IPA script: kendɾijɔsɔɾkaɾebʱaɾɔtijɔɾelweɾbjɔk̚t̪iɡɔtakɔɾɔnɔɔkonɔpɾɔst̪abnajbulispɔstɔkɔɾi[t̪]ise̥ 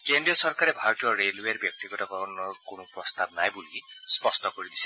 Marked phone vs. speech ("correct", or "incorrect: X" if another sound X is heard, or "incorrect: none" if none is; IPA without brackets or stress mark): incorrect: d̪